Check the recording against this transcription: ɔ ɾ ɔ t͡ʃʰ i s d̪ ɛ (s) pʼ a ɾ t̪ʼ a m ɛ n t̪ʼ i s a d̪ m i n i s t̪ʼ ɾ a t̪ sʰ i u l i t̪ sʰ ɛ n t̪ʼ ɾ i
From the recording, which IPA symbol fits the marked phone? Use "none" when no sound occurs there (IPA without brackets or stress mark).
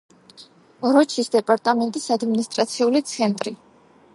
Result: none